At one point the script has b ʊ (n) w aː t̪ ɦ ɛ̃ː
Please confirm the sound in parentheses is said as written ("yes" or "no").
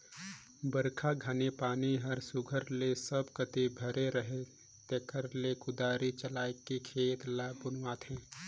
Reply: yes